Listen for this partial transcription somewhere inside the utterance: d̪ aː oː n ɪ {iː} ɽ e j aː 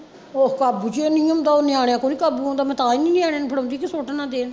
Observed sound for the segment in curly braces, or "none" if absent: aː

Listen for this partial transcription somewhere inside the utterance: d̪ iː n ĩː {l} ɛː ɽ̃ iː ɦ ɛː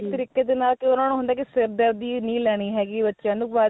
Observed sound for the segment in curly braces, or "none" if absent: l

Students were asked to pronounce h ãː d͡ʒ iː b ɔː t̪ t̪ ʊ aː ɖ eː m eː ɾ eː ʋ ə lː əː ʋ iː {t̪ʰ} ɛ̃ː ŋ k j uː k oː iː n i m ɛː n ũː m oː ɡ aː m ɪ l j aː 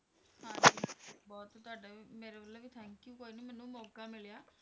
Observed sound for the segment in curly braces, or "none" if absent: t̪ʰ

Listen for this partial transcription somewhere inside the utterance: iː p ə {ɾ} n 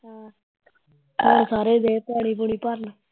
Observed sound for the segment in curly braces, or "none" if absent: ɾ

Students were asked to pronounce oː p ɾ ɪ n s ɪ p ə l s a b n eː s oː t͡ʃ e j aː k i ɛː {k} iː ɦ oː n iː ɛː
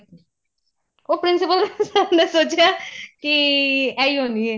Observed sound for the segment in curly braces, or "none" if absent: none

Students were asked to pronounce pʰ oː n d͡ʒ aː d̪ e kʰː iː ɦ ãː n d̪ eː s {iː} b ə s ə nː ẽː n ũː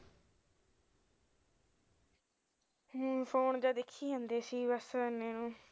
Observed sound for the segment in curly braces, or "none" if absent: iː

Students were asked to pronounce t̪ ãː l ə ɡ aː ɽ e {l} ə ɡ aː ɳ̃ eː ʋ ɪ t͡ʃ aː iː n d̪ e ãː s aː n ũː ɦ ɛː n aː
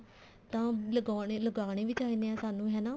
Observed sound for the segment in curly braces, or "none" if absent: l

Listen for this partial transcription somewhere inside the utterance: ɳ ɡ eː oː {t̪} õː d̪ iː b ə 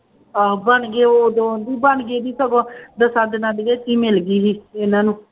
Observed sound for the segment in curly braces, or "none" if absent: d̪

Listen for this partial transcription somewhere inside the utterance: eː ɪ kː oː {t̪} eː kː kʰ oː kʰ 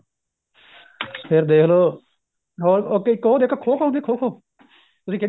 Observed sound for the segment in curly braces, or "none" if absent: d̪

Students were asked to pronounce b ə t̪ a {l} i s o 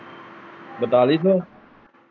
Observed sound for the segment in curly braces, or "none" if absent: l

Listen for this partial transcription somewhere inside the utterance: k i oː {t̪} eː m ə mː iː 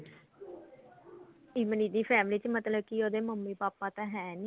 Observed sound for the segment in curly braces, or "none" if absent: d̪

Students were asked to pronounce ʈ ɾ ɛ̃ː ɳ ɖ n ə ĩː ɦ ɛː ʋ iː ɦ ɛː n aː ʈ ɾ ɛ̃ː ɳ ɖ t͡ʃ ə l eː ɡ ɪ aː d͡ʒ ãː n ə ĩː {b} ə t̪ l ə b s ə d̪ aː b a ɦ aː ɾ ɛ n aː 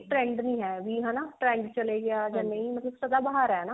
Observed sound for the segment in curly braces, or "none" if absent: m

